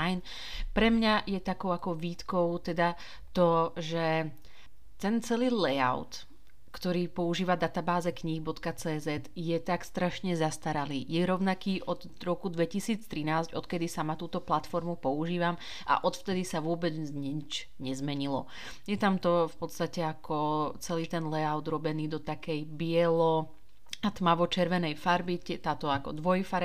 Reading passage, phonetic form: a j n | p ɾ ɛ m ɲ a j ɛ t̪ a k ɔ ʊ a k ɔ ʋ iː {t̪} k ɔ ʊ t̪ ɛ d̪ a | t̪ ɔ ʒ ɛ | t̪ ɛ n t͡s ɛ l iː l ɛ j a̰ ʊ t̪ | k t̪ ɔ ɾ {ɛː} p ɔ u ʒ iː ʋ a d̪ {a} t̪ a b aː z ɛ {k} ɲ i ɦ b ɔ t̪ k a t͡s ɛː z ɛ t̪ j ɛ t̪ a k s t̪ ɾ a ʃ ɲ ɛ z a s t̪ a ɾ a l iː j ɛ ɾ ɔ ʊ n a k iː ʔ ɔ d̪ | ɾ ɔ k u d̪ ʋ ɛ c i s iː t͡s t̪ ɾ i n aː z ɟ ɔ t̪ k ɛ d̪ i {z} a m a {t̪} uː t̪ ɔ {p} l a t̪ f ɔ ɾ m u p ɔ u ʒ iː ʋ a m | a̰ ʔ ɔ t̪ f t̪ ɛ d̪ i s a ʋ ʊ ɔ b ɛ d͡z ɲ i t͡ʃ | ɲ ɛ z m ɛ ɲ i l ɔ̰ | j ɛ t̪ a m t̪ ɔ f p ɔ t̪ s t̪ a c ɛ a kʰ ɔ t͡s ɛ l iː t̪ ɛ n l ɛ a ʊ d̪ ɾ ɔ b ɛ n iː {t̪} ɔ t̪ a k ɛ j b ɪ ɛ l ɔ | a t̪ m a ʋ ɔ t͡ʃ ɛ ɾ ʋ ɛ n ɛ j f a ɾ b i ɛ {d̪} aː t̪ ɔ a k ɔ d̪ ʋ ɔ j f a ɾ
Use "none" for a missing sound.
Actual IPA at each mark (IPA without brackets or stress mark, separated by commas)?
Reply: t̪, iː, a, k, s, t̪, p, d̪, t̪